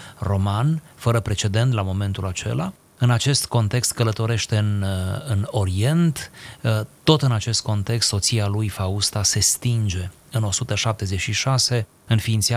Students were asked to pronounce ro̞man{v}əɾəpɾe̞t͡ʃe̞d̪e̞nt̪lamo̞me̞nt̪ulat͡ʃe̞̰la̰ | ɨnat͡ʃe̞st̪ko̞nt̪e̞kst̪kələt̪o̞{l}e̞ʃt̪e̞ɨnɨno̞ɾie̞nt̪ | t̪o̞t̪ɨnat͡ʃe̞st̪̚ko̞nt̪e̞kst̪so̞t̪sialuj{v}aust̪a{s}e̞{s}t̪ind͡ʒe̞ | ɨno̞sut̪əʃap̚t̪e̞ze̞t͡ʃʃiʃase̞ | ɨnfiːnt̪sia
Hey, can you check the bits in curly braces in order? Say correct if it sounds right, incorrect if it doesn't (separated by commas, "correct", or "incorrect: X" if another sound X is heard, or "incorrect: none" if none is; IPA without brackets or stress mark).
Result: incorrect: f, incorrect: ɾ, incorrect: f, correct, correct